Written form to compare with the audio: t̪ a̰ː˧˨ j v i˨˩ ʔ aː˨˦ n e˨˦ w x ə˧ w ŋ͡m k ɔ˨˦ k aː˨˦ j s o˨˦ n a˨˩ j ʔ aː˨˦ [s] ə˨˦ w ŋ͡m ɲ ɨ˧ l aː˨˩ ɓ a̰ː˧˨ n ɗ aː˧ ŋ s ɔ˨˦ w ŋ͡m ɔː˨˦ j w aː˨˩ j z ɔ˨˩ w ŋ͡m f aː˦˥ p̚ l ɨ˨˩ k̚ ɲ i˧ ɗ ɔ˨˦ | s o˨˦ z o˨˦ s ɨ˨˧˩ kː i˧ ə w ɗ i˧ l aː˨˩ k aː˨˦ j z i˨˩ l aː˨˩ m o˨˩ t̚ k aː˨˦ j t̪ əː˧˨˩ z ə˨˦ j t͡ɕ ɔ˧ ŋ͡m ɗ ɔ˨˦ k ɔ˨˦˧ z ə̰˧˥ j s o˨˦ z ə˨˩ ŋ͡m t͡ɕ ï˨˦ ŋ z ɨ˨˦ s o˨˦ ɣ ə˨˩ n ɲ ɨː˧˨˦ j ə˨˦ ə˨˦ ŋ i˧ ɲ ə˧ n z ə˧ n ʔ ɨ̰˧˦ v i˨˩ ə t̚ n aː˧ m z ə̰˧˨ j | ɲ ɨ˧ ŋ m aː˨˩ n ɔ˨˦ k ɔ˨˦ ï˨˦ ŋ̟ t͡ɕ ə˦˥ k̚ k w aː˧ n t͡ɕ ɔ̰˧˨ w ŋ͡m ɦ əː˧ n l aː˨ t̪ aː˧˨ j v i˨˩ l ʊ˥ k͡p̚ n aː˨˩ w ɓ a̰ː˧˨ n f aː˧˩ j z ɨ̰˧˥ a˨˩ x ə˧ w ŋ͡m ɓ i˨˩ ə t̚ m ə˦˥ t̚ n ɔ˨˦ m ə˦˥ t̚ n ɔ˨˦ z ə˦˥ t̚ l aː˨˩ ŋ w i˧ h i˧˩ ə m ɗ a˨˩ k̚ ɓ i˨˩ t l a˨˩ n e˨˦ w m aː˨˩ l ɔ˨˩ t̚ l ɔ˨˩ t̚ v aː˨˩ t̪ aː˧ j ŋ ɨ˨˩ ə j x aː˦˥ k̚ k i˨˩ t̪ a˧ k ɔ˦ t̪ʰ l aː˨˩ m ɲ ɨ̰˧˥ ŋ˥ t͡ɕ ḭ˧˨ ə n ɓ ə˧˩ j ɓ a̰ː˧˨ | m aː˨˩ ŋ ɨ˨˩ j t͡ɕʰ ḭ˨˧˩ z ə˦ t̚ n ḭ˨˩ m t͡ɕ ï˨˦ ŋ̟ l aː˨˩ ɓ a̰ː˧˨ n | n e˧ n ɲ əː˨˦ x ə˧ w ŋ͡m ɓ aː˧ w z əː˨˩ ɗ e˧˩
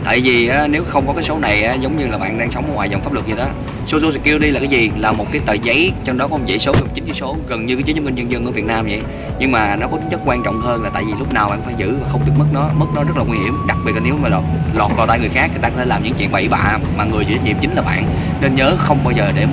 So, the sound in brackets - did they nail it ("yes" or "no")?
no